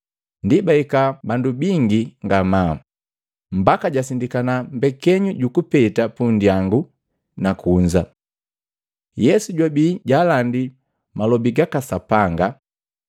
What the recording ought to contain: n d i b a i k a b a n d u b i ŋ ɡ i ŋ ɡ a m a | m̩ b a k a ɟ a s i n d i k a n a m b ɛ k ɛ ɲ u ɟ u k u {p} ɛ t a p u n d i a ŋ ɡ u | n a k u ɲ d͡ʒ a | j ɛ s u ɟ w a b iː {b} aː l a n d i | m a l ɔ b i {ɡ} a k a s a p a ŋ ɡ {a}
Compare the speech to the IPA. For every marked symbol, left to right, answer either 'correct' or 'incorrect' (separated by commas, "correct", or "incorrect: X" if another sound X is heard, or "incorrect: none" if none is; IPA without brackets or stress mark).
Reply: correct, incorrect: ɟ, correct, correct